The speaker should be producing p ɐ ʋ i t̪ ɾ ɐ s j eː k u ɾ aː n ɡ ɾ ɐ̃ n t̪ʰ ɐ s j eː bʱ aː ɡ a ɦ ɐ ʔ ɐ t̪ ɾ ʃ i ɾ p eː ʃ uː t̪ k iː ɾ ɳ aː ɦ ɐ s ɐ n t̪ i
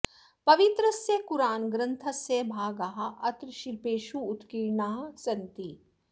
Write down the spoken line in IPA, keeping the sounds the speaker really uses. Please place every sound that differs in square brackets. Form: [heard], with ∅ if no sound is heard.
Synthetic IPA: p ɐ ʋ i t̪ ɾ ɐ s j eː k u ɾ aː n ɡ ɾ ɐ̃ n t̪ʰ ɐ s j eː bʱ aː ɡ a ɦ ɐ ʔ ɐ t̪ ɾ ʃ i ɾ p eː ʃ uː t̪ k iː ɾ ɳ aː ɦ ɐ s ɐ n t̪ i

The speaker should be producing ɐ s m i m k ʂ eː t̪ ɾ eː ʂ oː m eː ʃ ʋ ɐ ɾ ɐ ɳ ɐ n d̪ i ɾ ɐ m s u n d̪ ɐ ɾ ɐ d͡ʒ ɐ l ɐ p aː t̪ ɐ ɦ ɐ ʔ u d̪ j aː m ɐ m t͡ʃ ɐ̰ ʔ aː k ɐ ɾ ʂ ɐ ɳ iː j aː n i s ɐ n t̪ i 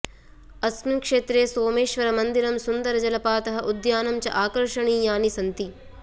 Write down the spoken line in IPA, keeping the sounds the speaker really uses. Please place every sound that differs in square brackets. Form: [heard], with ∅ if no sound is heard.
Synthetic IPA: ɐ s m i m k ʂ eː t̪ ɾ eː [s] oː m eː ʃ ʋ ɐ ɾ ɐ [m] ɐ n d̪ i ɾ ɐ m s u n d̪ ɐ ɾ ɐ d͡ʒ ɐ l ɐ p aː t̪ ɐ ɦ ɐ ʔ u d̪ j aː [n] ɐ m t͡ʃ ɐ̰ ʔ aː k ɐ ɾ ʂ ɐ ɳ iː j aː n i s ɐ n t̪ i

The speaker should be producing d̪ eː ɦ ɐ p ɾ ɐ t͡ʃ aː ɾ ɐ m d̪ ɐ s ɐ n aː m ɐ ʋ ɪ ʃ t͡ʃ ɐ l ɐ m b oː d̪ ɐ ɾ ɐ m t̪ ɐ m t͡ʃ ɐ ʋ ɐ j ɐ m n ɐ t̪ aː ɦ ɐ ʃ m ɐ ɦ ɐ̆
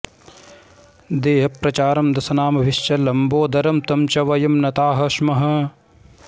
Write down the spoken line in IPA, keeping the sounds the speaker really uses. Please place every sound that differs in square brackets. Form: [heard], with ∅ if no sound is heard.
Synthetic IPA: d̪ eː ɦ ɐ p ɾ ɐ t͡ʃ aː ɾ ɐ m d̪ ɐ s ɐ n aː m ɐ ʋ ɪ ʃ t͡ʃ ɐ l ɐ m b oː d̪ ɐ ɾ ɐ m t̪ ɐ m t͡ʃ ɐ ʋ ɐ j ɐ m n ɐ t̪ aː ɦ ɐ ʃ m ɐ ɦ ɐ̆

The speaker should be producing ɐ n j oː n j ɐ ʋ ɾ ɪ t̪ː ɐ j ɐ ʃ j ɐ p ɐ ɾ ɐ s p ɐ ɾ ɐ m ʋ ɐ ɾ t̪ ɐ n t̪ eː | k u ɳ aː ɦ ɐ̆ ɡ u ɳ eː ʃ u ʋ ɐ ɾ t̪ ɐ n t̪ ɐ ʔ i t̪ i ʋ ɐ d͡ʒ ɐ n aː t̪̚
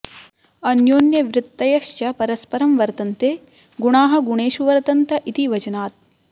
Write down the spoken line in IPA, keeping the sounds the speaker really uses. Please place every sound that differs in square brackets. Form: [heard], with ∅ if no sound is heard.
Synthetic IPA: ɐ n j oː n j ɐ ʋ ɾ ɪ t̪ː ɐ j ɐ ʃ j ɐ p ɐ ɾ ɐ s p ɐ ɾ ɐ m ʋ ɐ ɾ t̪ ɐ n t̪ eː | [ɡ] u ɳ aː ɦ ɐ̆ ɡ u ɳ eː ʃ u ʋ ɐ ɾ t̪ ɐ n t̪ ɐ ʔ i t̪ i ʋ ɐ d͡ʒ ɐ n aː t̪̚

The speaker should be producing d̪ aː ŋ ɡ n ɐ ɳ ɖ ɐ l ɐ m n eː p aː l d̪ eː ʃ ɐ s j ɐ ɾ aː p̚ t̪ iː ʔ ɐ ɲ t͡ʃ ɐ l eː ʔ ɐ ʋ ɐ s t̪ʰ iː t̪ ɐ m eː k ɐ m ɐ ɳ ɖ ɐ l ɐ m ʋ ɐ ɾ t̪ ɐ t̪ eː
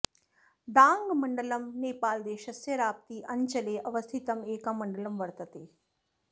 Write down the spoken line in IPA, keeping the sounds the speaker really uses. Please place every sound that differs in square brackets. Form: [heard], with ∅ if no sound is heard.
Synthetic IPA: d̪ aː ŋ ɡ [m] ɐ ɳ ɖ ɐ l ɐ m n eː p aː l d̪ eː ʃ ɐ s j ɐ ɾ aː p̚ t̪ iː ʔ ɐ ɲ t͡ʃ ɐ l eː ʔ ɐ ʋ ɐ s t̪ʰ [i] t̪ ɐ m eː k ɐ m ɐ ɳ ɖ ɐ l ɐ m ʋ ɐ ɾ t̪ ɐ t̪ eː

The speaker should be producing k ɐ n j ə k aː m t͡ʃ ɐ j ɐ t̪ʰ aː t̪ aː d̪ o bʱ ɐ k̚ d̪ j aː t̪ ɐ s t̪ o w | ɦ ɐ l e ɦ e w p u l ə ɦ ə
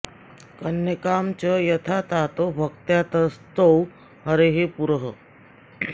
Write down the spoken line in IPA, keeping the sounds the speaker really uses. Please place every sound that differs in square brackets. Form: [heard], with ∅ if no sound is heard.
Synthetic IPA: k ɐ n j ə k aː m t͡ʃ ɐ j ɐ t̪ʰ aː t̪ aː [t̪] o bʱ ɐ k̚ [t̪] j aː t̪ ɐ s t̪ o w | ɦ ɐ [ɾ] e ɦ e [∅] p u [ɾ] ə ɦ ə

